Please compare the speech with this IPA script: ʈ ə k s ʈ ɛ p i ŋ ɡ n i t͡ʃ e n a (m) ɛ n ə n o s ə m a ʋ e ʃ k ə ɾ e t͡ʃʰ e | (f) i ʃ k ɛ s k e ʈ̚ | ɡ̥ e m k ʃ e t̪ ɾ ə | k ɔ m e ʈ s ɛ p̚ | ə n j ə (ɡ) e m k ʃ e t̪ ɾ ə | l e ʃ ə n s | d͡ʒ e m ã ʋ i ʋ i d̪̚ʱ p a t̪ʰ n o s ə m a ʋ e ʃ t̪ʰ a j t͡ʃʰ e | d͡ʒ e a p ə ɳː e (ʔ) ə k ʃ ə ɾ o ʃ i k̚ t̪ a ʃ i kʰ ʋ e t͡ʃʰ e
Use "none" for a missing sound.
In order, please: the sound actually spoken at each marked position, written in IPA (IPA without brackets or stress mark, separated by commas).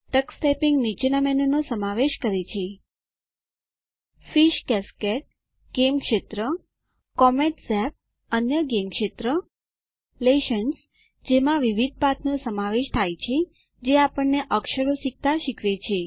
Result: m, f, ɡ, ʔ